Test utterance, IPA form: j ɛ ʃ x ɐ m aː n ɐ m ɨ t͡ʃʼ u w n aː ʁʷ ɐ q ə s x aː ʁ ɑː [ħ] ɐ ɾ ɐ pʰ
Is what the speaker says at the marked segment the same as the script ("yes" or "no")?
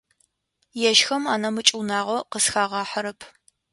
yes